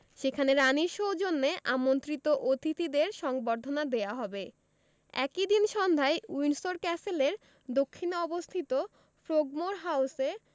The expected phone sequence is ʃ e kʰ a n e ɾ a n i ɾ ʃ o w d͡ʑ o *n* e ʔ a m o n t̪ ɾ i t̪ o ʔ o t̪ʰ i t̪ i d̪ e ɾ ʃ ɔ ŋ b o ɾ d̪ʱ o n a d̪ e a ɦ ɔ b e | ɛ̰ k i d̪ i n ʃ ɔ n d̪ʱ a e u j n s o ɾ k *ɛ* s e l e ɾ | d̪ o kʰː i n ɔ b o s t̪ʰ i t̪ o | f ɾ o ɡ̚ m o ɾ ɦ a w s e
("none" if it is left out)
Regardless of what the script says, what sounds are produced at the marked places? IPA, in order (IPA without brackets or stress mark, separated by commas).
nː, ɛ